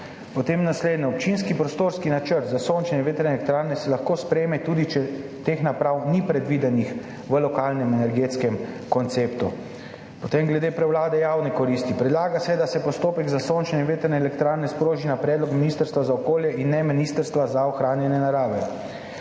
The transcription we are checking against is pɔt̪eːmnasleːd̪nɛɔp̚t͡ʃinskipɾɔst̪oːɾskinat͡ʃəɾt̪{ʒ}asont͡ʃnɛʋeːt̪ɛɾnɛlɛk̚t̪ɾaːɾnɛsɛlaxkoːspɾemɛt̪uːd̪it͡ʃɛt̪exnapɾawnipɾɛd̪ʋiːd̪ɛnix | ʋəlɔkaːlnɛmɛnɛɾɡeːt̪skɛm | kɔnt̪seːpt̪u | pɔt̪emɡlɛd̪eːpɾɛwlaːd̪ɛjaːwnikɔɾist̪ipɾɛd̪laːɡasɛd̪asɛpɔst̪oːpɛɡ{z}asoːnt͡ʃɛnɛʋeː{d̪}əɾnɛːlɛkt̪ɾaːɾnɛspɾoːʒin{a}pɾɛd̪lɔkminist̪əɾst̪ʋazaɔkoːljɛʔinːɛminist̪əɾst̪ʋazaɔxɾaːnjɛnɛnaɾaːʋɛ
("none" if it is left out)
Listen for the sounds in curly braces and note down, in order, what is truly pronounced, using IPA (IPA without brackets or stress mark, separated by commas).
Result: z, z, t̪, a